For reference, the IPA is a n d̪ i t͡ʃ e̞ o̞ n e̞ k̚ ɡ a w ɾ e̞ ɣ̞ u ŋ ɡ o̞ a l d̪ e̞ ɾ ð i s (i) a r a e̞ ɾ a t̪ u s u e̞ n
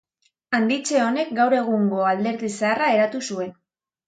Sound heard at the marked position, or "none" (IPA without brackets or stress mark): e